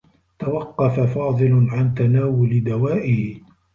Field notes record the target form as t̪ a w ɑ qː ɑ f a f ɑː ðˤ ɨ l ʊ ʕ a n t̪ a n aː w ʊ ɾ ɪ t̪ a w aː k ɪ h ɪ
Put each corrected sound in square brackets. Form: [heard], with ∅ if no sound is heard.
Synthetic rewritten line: t̪ a w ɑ qː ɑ f a f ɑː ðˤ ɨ l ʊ ʕ a n t̪ a n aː w ʊ [l] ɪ [d̪] a w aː [ʔ] ɪ h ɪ